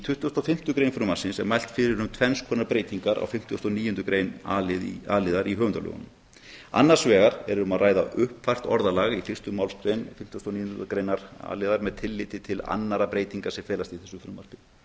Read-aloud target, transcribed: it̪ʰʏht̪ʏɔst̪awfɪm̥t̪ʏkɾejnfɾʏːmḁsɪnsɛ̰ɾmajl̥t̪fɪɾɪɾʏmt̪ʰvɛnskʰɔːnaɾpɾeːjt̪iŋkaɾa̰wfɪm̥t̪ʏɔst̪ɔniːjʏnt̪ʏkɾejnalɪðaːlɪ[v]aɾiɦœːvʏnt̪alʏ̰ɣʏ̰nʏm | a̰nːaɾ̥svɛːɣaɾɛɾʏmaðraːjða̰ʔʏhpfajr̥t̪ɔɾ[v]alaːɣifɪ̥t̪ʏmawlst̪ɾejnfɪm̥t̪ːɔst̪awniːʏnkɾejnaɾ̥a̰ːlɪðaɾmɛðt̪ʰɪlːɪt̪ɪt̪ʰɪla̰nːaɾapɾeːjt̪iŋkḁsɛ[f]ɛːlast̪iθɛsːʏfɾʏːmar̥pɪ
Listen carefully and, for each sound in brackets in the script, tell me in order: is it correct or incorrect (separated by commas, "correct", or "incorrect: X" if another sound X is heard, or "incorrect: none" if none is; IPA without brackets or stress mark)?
incorrect: ð, incorrect: ð, correct